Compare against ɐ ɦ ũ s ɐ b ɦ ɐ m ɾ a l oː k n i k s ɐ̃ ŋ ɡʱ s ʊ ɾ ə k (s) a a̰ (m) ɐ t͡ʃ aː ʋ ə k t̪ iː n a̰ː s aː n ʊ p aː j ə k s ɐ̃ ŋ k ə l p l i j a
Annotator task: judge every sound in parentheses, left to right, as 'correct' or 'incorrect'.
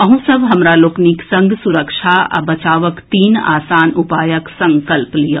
incorrect, incorrect

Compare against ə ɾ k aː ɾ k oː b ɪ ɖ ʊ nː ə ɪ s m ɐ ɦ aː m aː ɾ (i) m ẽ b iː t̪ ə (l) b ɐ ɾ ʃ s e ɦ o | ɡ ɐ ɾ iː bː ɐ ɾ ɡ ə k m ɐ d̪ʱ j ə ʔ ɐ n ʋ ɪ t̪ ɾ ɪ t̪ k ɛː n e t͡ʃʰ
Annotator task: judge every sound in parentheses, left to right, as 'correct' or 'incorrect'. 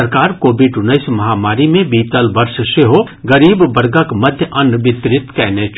correct, correct

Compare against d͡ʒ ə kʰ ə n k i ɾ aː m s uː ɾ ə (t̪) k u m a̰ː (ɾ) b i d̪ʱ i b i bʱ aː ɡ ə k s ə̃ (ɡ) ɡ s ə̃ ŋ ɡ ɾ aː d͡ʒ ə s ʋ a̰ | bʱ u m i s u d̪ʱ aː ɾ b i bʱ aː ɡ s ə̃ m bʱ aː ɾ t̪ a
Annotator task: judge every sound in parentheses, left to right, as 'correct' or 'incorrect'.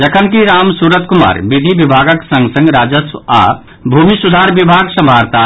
correct, correct, incorrect

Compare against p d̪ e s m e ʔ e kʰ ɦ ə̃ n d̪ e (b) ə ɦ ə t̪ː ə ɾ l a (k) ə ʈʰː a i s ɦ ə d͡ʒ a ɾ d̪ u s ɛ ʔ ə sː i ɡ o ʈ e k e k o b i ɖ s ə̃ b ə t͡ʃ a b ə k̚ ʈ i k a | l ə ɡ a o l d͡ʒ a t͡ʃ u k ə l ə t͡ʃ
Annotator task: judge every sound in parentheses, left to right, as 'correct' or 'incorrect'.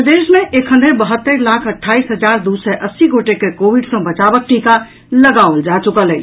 correct, incorrect

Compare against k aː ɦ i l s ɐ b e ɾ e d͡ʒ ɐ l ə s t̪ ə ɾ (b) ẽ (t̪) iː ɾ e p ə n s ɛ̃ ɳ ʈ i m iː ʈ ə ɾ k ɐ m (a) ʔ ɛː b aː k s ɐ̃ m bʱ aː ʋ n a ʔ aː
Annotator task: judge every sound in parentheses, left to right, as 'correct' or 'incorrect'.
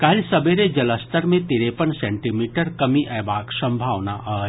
incorrect, correct, incorrect

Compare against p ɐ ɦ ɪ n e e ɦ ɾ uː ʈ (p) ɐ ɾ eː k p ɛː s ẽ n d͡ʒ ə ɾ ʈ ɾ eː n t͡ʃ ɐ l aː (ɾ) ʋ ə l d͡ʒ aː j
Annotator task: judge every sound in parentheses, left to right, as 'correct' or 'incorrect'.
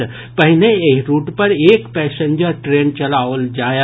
correct, incorrect

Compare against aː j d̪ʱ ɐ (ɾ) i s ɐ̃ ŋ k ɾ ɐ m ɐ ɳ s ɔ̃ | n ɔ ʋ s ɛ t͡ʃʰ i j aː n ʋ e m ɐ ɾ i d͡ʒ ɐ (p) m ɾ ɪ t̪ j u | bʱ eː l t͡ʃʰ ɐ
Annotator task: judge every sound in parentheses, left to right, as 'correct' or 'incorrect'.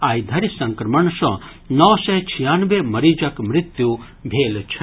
correct, incorrect

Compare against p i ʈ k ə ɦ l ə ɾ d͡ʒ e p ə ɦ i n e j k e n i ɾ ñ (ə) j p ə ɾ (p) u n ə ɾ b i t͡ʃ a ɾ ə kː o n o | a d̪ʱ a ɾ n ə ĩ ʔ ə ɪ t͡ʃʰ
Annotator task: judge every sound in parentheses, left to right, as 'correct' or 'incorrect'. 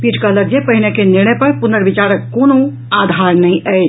correct, correct

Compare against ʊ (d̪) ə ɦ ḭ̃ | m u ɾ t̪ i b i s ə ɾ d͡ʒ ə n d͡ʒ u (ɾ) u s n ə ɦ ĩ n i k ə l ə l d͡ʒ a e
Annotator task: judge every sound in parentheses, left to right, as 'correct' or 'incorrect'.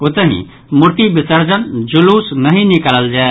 incorrect, incorrect

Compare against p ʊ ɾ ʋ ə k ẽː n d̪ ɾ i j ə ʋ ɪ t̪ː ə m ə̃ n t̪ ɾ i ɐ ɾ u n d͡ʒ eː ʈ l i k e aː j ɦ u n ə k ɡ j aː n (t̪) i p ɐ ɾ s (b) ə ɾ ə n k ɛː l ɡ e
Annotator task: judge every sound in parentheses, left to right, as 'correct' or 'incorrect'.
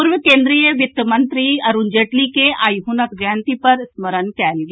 correct, incorrect

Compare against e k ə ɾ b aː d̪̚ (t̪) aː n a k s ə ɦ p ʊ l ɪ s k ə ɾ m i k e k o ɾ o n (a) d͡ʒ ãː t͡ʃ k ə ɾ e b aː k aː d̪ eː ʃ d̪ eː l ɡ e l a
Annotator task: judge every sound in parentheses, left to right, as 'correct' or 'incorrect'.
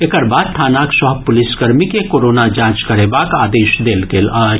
incorrect, correct

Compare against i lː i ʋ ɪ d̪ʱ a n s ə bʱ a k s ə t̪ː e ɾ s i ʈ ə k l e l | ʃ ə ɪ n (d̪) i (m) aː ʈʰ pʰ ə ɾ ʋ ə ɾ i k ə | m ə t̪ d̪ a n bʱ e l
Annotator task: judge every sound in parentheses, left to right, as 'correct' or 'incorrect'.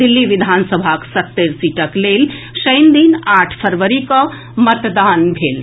correct, incorrect

